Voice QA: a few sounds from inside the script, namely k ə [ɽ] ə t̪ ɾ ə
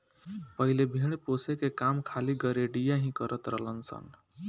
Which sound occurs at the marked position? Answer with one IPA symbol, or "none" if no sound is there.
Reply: ɾ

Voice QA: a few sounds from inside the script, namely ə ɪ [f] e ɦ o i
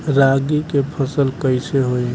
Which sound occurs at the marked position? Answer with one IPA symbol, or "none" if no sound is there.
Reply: s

